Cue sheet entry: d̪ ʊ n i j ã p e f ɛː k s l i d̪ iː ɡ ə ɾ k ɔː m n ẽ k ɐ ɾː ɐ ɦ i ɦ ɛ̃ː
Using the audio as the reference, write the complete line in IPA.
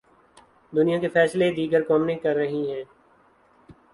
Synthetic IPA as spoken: d̪ ʊ n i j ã k e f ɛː s l e d̪ iː ɡ ə ɾ k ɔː m n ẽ k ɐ ɾː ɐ ɦ i ɦ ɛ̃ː